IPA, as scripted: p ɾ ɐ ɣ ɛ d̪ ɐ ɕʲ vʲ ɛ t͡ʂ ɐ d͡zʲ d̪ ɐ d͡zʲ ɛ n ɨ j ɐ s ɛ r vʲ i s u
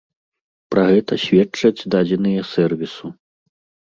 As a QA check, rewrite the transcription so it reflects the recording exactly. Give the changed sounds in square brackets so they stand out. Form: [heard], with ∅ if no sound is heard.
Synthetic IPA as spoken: p ɾ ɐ ɣ ɛ [t̪] ɐ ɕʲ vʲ ɛ t͡ʂ ɐ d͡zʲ d̪ [a] d͡zʲ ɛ n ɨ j ɐ s ɛ r vʲ i s u